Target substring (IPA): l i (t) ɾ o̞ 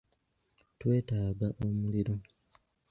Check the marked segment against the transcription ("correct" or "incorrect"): incorrect